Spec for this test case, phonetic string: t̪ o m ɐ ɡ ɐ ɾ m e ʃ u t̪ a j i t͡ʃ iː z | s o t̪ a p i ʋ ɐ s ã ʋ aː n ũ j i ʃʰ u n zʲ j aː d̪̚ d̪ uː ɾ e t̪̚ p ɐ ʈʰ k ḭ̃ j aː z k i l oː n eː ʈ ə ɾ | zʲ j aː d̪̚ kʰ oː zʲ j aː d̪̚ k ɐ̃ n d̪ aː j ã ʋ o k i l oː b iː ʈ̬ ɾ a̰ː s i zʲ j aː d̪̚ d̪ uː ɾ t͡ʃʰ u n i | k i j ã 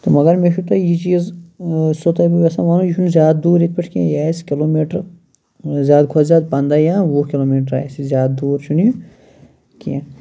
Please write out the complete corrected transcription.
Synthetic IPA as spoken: t̪ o m ɐ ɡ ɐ ɾ m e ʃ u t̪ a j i t͡ʃ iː z | s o t̪ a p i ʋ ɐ s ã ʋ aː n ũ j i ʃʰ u n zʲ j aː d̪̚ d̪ uː ɾ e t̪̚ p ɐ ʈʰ k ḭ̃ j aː s k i l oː m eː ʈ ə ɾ | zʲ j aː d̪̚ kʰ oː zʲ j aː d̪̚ p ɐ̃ n d̪ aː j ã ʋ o k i l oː m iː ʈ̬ ɾ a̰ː s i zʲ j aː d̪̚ d̪ uː ɾ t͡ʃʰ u n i | k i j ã